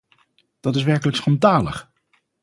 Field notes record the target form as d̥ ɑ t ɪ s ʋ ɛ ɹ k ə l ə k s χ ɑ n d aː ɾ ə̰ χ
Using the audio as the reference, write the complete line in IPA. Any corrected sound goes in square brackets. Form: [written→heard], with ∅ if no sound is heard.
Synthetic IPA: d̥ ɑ t ɪ s ʋ ɛ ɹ k ə l ə k s χ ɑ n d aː [ɾ→l] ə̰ χ